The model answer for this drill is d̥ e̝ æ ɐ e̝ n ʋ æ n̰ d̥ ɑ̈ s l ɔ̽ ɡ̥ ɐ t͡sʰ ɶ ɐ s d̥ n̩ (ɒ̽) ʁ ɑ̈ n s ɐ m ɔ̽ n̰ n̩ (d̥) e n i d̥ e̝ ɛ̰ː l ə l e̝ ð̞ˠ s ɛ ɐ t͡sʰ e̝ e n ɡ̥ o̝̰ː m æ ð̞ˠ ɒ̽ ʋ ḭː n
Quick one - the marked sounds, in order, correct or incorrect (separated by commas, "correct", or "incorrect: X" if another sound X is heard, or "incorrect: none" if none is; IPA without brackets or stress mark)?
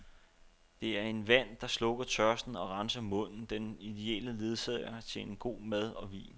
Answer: correct, correct